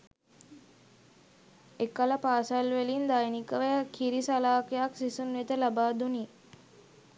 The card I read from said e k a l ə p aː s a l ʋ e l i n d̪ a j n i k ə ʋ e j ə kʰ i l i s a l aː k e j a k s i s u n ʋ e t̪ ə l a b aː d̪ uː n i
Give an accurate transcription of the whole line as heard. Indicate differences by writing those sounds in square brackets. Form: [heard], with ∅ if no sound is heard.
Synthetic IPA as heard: e k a l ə p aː s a l ʋ e l i n d̪ a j n i k ə ʋ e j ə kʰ i [ɾ] i s a l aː k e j a k s i s u n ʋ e t̪ ə l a b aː d̪ [u] n i